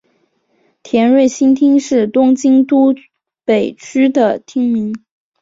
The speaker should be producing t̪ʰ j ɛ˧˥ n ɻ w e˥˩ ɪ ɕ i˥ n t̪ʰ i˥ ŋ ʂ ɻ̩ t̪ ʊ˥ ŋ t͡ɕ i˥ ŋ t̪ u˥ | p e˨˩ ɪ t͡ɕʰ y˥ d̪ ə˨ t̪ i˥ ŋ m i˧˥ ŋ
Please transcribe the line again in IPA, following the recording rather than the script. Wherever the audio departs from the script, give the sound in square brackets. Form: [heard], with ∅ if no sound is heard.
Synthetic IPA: t̪ʰ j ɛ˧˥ n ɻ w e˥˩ ɪ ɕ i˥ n t̪ʰ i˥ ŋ ʂ ɻ̩ t̪ ʊ˥ ŋ t͡ɕ i˥ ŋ t̪ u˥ | p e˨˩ ɪ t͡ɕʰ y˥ d̪ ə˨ [t̪ʰ] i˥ ŋ m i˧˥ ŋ